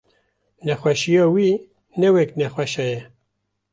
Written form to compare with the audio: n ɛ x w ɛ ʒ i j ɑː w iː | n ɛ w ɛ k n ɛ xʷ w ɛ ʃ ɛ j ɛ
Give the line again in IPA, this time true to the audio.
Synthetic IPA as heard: n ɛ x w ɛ ʃ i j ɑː w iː | n ɛ w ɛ k n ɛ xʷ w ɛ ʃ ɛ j ɛ